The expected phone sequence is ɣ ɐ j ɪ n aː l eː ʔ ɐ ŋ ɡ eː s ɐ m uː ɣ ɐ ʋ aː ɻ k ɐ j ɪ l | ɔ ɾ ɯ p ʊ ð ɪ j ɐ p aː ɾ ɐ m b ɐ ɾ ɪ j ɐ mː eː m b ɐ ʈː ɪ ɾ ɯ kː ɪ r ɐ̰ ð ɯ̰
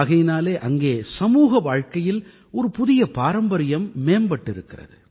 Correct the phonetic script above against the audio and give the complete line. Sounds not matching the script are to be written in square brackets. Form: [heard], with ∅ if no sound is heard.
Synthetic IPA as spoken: ɣ ɐ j ɪ n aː l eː ʔ ɐ ŋ ɡ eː s ɐ m uː ɣ ɐ ʋ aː ɻ k ɐ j ɪ l | ɔ ɾ ɯ p ʊ ð ɪ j ɐ p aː ɾ ɐ m b ɐ ɾ ɪ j ɐ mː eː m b ɐ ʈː ɪ ɾ ɯ kː ɪ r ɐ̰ ð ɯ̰